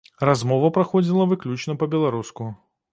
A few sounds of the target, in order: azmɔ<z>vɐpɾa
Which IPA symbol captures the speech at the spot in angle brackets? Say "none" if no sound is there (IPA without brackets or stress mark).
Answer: none